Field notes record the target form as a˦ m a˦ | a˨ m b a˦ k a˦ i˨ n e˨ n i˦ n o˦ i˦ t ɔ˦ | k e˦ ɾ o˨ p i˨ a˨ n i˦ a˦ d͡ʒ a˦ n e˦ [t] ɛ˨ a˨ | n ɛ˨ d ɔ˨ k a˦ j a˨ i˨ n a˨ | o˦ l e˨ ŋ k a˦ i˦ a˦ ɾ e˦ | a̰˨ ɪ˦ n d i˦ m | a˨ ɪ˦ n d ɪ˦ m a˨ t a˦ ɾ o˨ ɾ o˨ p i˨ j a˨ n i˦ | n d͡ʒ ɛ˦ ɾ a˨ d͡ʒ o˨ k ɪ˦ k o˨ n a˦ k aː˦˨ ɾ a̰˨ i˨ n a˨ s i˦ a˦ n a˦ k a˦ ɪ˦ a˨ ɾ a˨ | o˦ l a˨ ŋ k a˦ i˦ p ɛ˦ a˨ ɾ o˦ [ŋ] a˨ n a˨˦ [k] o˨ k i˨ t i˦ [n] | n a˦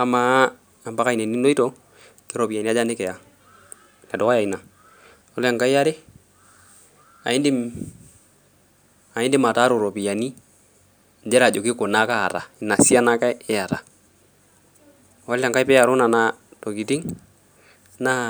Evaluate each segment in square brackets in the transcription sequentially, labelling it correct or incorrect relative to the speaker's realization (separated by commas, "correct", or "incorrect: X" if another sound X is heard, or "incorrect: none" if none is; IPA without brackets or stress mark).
incorrect: k, incorrect: n, incorrect: t, incorrect: ŋ